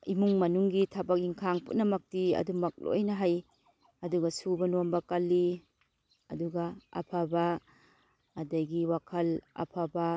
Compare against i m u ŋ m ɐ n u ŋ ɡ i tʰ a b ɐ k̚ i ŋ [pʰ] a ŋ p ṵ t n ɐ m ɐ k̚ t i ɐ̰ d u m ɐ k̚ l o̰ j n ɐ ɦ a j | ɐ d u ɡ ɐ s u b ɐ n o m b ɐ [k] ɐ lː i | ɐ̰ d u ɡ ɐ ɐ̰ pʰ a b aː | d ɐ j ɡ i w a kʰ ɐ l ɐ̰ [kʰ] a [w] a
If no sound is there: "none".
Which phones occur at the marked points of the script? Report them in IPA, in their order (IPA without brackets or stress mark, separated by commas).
kʰ, k, pʰ, b